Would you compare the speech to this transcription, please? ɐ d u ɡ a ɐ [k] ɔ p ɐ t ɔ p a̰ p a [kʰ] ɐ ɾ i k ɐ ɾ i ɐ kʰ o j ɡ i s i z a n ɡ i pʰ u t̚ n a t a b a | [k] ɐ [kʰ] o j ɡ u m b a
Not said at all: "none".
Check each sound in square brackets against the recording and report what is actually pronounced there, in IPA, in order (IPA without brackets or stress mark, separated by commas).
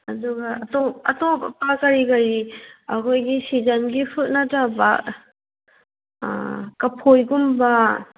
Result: t, k, k, pʰ